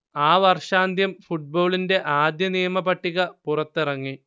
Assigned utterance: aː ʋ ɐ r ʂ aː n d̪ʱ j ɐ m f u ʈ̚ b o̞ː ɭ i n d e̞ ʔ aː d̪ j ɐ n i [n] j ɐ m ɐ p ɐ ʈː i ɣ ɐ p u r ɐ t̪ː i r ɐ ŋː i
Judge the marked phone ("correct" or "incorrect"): incorrect